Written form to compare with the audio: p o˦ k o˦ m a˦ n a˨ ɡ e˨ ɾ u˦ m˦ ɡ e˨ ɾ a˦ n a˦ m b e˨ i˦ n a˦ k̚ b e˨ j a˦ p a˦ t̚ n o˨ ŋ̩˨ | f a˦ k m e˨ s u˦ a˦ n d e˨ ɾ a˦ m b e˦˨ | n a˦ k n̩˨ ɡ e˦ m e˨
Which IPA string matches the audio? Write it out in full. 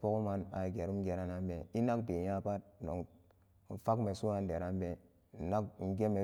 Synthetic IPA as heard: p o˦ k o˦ m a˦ n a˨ ɡ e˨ ɾ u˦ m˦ ɡ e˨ ɾ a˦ n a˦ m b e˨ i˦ n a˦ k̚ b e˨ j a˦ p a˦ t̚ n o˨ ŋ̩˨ | f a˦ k m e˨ s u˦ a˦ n d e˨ ɾ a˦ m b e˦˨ | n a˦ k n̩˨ ɡ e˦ m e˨